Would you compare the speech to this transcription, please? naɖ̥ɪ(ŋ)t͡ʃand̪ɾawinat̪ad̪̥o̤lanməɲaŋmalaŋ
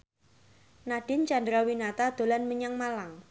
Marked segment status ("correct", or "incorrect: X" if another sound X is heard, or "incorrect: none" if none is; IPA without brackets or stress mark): incorrect: n